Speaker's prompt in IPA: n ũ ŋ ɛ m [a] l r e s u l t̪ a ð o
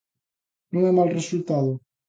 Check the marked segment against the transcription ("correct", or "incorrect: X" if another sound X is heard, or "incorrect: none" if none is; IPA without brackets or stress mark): correct